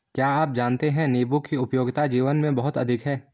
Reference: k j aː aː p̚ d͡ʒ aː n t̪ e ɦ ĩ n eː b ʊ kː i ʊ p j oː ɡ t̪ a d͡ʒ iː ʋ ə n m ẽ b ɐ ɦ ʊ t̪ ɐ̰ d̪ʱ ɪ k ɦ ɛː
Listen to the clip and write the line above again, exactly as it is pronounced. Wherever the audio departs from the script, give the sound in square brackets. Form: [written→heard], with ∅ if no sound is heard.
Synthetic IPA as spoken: k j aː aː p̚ d͡ʒ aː n t̪ e ɦ [ĩ→ɛ̃] n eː b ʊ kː i ʊ p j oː ɡ t̪ a d͡ʒ iː ʋ ə n m ẽ b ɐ ɦ ʊ t̪ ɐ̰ d̪ʱ ɪ k ɦ ɛː